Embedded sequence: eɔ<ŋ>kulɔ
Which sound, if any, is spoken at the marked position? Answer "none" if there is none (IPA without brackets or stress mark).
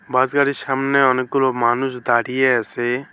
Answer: n